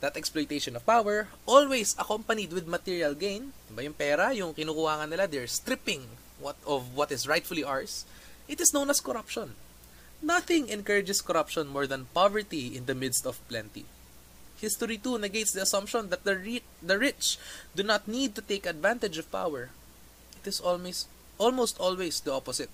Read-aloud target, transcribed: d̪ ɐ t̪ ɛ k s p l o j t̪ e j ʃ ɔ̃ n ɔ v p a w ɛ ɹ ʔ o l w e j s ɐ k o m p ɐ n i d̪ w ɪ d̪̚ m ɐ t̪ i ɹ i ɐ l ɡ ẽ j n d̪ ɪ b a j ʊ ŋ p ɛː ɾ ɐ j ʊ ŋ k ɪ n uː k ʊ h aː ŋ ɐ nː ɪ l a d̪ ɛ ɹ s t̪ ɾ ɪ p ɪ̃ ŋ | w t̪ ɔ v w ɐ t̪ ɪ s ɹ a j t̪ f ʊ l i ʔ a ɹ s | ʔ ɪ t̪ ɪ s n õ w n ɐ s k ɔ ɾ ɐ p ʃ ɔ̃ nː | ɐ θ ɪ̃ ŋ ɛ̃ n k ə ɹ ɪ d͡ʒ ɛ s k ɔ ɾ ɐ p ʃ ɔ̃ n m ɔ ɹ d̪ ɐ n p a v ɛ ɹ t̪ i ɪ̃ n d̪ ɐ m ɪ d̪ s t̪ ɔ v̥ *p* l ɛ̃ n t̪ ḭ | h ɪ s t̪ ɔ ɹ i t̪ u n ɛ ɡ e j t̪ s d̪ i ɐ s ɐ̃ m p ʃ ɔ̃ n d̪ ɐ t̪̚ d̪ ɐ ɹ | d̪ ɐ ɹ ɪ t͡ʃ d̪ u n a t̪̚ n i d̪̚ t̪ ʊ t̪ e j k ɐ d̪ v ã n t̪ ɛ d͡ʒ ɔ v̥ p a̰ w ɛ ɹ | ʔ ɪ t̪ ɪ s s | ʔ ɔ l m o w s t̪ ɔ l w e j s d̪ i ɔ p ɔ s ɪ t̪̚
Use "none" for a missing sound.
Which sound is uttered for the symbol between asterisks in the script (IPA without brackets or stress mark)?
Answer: p